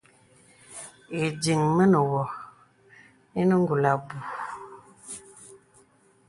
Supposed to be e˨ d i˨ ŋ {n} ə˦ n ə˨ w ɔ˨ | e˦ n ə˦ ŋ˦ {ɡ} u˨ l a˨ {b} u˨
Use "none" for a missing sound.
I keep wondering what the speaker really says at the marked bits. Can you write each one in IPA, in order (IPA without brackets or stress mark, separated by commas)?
m, ɡ, b